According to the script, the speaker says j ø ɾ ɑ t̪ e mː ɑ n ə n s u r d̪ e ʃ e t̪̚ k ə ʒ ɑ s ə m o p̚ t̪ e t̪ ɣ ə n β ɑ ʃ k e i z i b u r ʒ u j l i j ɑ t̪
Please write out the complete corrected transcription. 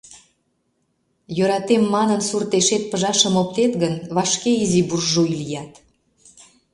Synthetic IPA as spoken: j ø ɾ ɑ t̪ e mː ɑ n ə n s u r t̪ e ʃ e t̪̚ p ə ʒ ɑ ʃ ə m o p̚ t̪ e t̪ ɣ ə n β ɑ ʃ k e i z i b u r ʒ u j l i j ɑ t̪